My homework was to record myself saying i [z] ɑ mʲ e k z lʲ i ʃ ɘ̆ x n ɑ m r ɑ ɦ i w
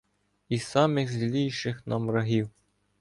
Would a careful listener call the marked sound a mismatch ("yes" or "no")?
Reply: yes